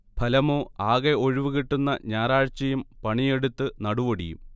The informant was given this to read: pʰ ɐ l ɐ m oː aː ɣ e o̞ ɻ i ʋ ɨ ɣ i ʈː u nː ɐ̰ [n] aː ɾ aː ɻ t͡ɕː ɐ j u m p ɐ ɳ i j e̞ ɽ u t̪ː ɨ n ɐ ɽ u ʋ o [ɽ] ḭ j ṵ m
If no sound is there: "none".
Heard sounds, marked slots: ɲ, ɽ

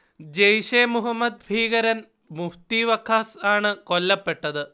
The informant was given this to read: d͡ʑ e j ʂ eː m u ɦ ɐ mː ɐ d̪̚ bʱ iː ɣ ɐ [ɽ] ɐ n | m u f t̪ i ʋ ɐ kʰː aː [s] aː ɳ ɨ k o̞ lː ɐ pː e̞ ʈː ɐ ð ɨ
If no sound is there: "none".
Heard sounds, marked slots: ɾ, s

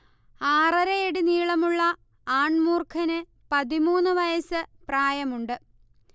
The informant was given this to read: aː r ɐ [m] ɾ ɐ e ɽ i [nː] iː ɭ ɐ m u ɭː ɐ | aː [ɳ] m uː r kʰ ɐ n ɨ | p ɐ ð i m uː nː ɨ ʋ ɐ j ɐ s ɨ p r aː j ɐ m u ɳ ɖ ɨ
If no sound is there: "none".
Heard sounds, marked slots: none, n, ɳ

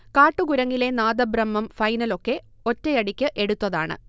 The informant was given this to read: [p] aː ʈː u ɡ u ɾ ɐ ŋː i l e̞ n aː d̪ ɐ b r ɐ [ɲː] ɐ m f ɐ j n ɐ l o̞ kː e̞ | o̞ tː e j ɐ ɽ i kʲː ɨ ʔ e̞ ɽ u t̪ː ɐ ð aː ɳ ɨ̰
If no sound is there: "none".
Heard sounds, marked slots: k, mː

